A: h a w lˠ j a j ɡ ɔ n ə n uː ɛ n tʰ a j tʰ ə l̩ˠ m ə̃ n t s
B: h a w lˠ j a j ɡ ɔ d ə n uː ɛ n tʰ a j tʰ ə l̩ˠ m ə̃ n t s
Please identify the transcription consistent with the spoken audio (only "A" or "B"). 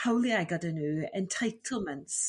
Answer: B